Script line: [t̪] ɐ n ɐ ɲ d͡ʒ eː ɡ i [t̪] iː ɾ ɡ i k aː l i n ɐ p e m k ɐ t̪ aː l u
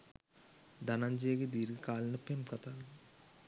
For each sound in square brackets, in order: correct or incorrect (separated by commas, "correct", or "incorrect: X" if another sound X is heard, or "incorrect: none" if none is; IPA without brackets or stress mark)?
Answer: incorrect: d̪, incorrect: d̪